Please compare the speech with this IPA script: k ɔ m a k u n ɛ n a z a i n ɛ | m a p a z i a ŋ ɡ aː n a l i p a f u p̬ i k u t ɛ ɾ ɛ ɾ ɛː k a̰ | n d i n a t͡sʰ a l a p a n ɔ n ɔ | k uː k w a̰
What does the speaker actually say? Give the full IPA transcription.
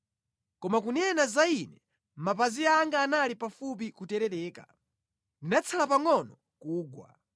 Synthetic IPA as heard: k ɔ m a k u n ɛ n a z a i n ɛ | m a p a z i a ŋ ɡ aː n a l i p a f u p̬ i k u t ɛ ɾ ɛ ɾ ɛː k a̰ | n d i n a t͡sʰ a l a p a ŋ ɔ n ɔ | k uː ɡ w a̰